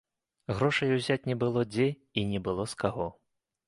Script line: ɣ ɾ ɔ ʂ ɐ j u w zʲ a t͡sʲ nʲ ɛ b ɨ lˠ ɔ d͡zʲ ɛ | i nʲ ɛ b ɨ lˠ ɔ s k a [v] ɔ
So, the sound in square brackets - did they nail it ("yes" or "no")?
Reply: no